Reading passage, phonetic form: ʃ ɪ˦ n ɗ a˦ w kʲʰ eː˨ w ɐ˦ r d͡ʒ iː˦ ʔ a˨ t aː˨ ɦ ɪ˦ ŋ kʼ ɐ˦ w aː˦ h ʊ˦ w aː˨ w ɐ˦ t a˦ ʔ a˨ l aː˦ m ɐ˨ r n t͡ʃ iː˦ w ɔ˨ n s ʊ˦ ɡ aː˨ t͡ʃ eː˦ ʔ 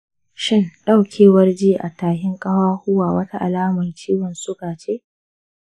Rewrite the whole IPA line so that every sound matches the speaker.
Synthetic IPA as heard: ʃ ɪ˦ n ɗ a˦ w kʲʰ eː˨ w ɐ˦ r d͡ʒ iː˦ ʔ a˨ t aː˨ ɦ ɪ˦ ŋ kʼ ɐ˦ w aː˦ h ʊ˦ w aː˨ w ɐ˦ t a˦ ʔ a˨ l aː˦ m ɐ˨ n t͡ʃ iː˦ w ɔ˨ n s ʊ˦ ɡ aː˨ t͡ʃ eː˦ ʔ